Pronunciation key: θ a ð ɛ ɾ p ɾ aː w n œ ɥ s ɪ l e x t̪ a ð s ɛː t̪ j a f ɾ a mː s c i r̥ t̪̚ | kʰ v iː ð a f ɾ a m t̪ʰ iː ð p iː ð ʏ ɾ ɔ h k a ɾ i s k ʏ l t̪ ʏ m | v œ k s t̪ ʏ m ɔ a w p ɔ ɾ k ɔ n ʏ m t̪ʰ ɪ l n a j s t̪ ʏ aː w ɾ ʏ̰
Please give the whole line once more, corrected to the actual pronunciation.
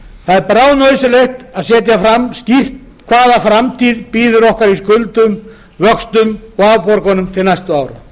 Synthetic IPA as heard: θ a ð ɛ ɾ p ɾ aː w n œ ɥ s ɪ l e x t̪ a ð s ɛː t̪ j a f ɾ a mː s c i r̥ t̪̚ | kʰ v aː ð a f ɾ a m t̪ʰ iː ð p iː ð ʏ ɾ ɔ h k a ɾ i s k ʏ l t̪ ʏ m | v œ k s t̪ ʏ m ɔ a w p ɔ ɾ k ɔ n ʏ m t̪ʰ ɪ l n a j s t̪ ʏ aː w ɾ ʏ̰